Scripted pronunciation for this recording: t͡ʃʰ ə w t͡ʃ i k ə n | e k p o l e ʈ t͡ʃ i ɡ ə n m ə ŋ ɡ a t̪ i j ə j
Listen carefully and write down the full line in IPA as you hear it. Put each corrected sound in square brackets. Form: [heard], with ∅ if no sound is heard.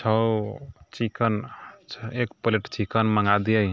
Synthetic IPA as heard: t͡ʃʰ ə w t͡ʃ i k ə n | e k p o l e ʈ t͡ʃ i [k] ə n m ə ŋ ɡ a [d̪] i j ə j

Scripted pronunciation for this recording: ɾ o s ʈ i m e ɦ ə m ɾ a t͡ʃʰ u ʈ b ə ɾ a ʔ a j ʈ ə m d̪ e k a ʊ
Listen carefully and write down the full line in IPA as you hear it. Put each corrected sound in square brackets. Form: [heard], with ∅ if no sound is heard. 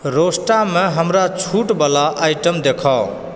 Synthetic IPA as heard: ɾ o s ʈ [a] m e ɦ ə m ɾ a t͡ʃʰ u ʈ b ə [l] a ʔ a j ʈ ə m d̪ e [kʰ] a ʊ

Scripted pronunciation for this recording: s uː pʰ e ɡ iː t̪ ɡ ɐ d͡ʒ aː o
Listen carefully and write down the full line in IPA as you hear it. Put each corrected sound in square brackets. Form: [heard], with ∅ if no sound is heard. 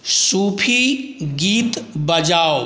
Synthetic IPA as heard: s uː pʰ [i] ɡ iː t̪ [b] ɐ d͡ʒ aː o

